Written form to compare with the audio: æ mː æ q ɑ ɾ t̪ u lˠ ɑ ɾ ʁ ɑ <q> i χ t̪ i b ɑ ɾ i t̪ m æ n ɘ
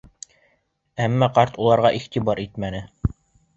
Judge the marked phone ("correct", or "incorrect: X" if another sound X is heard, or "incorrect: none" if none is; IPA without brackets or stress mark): incorrect: ʔ